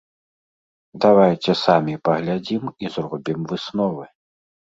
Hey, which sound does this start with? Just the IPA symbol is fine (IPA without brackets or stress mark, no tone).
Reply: d̪